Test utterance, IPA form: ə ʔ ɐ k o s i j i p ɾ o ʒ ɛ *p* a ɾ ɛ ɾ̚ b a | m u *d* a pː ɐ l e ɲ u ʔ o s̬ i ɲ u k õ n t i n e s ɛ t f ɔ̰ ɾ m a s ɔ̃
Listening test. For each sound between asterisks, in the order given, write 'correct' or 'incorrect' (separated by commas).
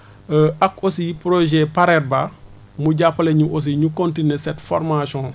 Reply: correct, incorrect